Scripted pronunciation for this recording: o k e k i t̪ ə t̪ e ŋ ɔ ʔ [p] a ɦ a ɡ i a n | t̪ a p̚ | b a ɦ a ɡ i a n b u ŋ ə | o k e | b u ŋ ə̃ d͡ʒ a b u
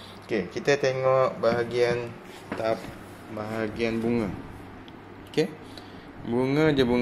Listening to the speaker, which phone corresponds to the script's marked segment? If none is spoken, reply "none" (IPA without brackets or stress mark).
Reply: b